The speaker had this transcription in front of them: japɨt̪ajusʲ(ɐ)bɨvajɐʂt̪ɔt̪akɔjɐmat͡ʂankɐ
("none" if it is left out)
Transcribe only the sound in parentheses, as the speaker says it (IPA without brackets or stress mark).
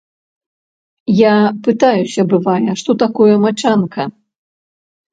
ɐ